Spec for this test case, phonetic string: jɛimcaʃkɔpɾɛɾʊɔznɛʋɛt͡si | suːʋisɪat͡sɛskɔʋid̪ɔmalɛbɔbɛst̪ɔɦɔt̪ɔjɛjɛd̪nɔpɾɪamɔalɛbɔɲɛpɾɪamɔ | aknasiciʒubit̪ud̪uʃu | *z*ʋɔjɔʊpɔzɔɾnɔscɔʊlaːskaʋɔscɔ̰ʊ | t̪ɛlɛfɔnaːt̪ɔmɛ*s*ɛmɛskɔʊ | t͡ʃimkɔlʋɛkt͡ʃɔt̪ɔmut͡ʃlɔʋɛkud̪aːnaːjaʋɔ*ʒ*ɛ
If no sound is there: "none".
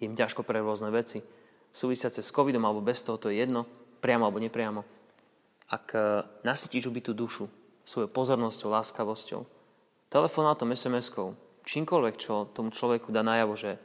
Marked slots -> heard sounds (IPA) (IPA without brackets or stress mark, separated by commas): s, s, ʒ